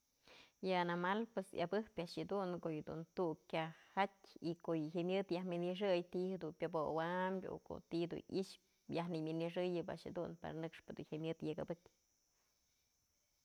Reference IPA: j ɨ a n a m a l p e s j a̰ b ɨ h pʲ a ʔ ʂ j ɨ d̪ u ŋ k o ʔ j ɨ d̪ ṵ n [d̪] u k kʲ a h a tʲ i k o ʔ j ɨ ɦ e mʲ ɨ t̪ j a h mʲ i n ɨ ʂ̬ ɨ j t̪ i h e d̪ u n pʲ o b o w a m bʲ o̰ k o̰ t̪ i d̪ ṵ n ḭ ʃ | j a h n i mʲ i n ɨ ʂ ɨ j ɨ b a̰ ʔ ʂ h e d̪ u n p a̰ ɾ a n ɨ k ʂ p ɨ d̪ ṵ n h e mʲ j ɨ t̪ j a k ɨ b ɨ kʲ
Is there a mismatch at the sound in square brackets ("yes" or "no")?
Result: yes